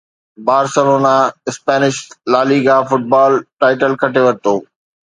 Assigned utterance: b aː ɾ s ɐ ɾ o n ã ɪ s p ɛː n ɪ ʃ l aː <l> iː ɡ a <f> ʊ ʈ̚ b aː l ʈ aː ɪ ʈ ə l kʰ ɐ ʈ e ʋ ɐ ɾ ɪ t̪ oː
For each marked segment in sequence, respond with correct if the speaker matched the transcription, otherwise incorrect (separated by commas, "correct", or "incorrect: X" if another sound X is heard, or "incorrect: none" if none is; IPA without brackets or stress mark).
correct, correct